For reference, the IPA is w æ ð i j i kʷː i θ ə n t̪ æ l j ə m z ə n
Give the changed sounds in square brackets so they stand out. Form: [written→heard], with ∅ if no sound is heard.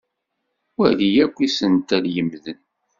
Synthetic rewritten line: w æ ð i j [i→æ] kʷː i [θ→s] ə n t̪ æ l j ə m [z→ð] ə n